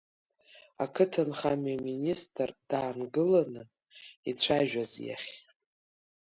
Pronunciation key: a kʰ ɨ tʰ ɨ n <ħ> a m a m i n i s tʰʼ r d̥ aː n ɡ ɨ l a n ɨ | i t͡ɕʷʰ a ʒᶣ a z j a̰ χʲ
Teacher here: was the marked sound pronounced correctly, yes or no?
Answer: no